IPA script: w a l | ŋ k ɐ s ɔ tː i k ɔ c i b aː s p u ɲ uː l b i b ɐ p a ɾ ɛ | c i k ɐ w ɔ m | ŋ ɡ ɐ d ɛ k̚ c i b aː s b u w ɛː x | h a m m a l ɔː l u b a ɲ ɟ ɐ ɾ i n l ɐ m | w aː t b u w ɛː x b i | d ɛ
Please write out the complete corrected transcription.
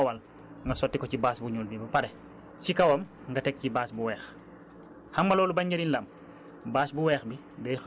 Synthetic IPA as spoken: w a l | ŋ ɡ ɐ s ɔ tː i k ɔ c i b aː s b u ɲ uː l b i b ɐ p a ɾ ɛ | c i k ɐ w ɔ m | ŋ ɡ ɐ t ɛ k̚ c i b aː s b u w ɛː x | h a m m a l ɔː l u b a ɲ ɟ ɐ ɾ i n l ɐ m | b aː s b u w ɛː x b i | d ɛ